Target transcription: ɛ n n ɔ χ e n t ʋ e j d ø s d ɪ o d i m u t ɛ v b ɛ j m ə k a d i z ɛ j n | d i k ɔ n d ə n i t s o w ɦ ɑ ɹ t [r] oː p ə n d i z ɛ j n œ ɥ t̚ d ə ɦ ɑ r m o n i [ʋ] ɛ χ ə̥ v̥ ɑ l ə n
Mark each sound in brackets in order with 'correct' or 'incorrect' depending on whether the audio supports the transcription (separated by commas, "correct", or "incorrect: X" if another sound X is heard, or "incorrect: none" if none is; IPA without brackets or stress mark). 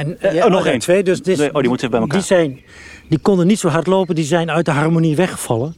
incorrect: l, correct